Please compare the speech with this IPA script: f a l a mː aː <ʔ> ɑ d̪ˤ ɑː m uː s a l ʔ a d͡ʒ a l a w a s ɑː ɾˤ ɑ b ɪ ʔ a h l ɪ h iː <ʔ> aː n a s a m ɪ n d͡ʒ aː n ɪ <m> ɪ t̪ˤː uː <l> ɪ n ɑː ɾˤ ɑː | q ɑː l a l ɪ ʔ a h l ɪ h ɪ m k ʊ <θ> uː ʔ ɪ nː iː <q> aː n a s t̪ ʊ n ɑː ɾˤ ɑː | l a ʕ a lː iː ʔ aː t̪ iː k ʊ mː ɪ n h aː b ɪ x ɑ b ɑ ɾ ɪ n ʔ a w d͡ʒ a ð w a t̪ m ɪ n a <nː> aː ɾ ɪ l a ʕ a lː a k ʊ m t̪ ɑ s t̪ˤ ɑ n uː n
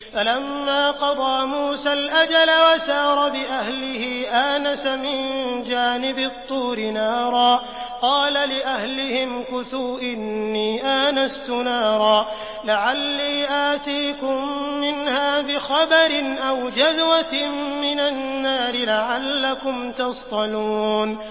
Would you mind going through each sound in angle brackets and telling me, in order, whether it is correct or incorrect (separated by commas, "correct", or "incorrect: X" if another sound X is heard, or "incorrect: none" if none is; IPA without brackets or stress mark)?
incorrect: q, correct, incorrect: b, incorrect: ɾ, correct, incorrect: ʔ, correct